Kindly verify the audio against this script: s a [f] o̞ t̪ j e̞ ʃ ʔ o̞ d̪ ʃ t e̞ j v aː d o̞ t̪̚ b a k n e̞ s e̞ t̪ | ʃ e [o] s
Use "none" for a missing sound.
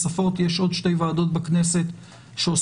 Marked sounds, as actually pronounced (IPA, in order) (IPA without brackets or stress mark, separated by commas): f, o